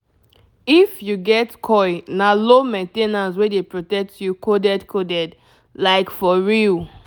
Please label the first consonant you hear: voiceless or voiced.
voiceless